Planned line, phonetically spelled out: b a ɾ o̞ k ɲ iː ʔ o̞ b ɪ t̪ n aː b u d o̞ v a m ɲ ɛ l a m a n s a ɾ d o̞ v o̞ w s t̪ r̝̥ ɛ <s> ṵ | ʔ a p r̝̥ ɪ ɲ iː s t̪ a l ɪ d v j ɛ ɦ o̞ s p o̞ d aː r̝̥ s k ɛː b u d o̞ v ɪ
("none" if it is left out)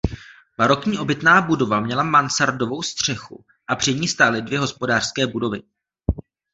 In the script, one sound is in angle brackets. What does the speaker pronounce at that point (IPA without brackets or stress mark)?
x